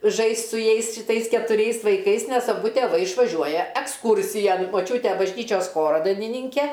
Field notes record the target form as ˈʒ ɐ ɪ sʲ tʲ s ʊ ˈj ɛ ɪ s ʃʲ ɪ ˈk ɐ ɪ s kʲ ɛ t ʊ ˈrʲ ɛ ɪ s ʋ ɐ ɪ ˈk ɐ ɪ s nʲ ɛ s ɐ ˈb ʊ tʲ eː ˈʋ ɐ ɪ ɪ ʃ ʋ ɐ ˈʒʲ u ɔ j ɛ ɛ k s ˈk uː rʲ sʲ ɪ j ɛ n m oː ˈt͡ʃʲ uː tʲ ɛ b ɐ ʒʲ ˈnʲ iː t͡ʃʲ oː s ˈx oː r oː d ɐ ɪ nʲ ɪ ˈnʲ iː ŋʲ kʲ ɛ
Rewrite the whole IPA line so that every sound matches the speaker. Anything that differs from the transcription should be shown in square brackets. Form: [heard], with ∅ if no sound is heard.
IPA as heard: ˈʒ ɐ ɪ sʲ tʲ s ʊ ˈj ɛ ɪ s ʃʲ ɪ [ˈt] ɐ ɪ s kʲ ɛ t ʊ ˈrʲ ɛ ɪ s ʋ ɐ ɪ ˈk ɐ ɪ s nʲ ɛ s ɐ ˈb ʊ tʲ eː ˈʋ ɐ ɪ ɪ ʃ ʋ ɐ ˈʒʲ u ɔ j ɛ ɛ k s ˈk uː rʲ sʲ ɪ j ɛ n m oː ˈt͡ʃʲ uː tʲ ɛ b ɐ ʒʲ ˈnʲ iː t͡ʃʲ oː s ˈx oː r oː d ɐ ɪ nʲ ɪ ˈnʲ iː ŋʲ kʲ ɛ